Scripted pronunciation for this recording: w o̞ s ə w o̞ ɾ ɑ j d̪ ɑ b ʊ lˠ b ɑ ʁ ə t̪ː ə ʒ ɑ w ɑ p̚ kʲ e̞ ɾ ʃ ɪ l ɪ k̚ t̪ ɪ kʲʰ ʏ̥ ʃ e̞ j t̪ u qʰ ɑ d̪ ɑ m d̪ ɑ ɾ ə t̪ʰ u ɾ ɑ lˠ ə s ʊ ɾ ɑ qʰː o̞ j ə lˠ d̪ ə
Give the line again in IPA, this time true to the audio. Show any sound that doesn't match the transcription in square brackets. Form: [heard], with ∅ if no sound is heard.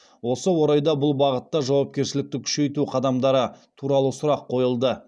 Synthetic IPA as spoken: w o̞ s ə w o̞ ɾ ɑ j d̪ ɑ b ʊ lˠ b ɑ ʁ ə t̪ː [ɑ] ʒ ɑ w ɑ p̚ kʲ e̞ ɾ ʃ ɪ l ɪ k̚ t̪ ɪ kʲʰ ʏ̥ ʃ e̞ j t̪ u qʰ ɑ d̪ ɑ m d̪ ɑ ɾ ə t̪ʰ u ɾ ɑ lˠ ə s ʊ ɾ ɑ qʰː o̞ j ə lˠ d̪ ə

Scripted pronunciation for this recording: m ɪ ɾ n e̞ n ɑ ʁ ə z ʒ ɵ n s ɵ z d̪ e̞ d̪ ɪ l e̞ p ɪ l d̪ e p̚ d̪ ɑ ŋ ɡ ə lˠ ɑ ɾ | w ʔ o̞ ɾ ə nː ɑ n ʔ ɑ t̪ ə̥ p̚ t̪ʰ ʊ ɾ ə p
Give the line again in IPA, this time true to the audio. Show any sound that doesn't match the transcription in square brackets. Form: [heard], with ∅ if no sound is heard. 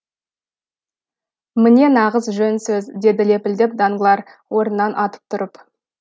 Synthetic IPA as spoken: m ɪ [∅] n e̞ n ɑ ʁ ə z ʒ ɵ n s ɵ z d̪ e̞ d̪ ɪ l e̞ p ɪ l d̪ e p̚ d̪ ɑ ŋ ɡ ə lˠ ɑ ɾ | w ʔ o̞ ɾ ə nː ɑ n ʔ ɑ t̪ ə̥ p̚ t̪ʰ ʊ ɾ ə p

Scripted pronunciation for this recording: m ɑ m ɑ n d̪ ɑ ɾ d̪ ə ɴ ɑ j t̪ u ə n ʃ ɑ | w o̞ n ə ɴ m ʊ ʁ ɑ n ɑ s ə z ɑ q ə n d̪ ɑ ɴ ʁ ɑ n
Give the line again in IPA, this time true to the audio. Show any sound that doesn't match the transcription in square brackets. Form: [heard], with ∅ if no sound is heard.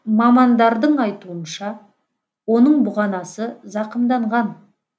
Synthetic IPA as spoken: m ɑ m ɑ n d̪ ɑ ɾ d̪ ə ɴ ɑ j t̪ u ə n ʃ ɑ | w o̞ n ə ɴ [b] ʊ ʁ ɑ n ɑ s ə z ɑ q ə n d̪ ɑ ɴ ʁ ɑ n

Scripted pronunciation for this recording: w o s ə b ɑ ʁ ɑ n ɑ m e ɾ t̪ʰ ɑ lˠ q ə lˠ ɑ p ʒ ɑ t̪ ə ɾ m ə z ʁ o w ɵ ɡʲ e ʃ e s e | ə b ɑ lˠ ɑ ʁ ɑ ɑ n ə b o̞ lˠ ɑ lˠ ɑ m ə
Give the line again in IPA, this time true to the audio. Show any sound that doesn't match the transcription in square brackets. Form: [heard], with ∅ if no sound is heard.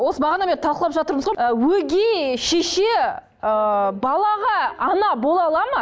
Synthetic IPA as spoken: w o s ə b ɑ ʁ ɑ n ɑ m e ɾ t̪ʰ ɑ lˠ q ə lˠ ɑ p ʒ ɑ t̪ ə ɾ m ə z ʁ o w ɵ ɡʲ e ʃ e [ʃ] e | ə b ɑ lˠ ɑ ʁ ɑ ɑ n [ɑ] b o̞ lˠ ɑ lˠ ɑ m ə

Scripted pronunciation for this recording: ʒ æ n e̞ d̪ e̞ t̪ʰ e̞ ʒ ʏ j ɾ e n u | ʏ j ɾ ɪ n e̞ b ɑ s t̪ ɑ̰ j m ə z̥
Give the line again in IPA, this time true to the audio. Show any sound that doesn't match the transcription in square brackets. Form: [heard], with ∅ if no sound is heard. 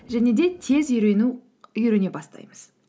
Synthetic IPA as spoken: ʒ æ n e̞ d̪ e̞ t̪ʰ e̞ [z] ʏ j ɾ e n u | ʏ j ɾ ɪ n e̞ b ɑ s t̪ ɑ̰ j m ə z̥

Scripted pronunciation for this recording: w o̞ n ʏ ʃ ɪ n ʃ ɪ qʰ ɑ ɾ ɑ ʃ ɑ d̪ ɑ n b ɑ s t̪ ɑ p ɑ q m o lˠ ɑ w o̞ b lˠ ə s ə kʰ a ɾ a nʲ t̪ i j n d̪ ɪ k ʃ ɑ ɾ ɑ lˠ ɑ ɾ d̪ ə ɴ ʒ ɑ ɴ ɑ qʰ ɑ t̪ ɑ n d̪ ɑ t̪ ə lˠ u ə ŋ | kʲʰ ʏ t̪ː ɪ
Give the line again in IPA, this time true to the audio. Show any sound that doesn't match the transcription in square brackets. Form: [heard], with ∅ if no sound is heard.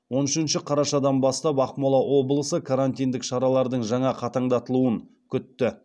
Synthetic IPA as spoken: w o̞ n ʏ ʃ ɪ n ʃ ɪ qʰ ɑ ɾ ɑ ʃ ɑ d̪ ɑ n b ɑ s t̪ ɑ p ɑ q m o lˠ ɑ w o̞ b lˠ ə s ə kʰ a ɾ a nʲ t̪ i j n d̪ ɪ k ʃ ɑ ɾ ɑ lˠ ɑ ɾ d̪ ə ɴ ʒ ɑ ɴ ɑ qʰ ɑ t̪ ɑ [ɴ] d̪ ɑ t̪ ə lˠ u ə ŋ | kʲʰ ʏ t̪ː ɪ

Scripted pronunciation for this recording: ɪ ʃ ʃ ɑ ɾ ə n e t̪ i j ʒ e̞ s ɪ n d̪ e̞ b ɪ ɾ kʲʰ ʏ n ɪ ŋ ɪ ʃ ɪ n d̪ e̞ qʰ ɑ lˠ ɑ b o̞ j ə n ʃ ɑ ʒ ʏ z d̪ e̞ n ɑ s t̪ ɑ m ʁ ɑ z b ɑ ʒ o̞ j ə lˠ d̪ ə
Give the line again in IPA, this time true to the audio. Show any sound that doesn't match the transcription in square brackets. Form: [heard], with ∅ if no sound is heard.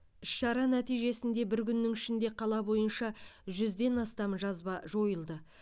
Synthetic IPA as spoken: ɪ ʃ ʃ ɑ ɾ [ɑ] n [æ] t̪ i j ʒ e̞ s ɪ n d̪ e̞ b ɪ ɾ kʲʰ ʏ [nː] ɪ ŋ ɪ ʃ ɪ n d̪ e̞ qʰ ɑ lˠ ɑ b o̞ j ə n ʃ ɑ ʒ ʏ z d̪ e̞ n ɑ s t̪ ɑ m [ʒ] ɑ z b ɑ ʒ o̞ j ə lˠ d̪ ə

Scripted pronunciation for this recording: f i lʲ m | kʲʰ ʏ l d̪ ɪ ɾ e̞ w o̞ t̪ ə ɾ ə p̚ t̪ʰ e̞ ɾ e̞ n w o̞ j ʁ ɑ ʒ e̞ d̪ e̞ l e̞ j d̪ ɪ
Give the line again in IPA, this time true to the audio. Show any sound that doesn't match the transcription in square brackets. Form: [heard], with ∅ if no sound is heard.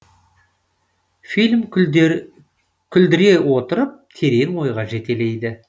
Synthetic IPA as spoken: f i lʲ m | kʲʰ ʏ l d̪ ɪ ɾ e̞ w o̞ t̪ ə ɾ ə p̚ t̪ʰ e̞ ɾ e̞ n w o̞ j ʁ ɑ ʒ e̞ [t̪] e̞ l e̞ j d̪ ɪ

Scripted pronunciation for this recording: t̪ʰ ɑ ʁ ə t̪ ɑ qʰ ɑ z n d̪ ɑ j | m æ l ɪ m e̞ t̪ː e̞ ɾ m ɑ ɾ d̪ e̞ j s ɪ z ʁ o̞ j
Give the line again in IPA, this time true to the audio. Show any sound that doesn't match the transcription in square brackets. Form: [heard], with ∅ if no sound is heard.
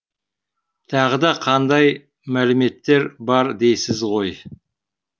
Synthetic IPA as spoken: t̪ʰ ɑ ʁ ə [d̪] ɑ qʰ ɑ [∅] n d̪ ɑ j | m æ l ɪ m e̞ t̪ː e̞ ɾ [b] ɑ ɾ d̪ e̞ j s ɪ z ʁ o̞ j

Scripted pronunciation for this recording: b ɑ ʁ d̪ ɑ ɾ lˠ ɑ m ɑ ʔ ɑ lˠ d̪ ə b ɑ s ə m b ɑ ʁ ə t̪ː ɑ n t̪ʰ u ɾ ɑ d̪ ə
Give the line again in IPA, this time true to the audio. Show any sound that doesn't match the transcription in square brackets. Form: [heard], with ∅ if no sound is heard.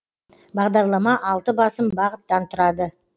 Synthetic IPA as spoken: b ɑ ʁ d̪ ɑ ɾ lˠ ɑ m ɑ ʔ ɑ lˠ [t̪] ə b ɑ s ə m b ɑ ʁ ə t̪ː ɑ n t̪ʰ [ʊ] ɾ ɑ d̪ ə

